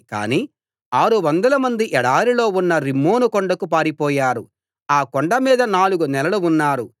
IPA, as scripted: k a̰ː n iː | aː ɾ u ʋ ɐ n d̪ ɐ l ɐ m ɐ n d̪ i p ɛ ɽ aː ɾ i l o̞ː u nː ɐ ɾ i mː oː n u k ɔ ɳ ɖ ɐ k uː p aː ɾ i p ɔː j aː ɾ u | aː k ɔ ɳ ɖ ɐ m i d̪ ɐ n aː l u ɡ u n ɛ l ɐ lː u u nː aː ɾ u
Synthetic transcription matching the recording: k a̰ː n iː | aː ɾ u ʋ ɐ n d̪ ɐ l ɐ m ɐ n d̪ i ʔ ɛ ɽ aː ɾ i l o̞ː u nː ɐ ɾ i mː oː n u k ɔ ɳ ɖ ɐ k u p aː ɾ i p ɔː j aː ɾ u | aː k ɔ ɳ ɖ ɐ m iː d̪ ɐ n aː l u ɡ u n ɛ l ɐ l u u nː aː ɾ u